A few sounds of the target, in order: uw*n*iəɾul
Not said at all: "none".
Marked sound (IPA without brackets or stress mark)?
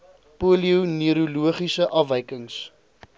n